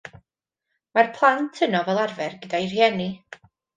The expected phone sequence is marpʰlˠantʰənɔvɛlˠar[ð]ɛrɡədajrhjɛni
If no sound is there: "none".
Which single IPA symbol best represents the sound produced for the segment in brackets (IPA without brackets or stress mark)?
v